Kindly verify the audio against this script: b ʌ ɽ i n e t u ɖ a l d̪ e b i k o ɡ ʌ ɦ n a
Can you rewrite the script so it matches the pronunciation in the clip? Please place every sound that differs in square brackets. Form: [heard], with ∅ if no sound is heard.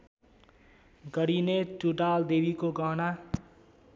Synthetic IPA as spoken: [ɡ] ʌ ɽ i n e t u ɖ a l d̪ e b i k o ɡ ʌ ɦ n a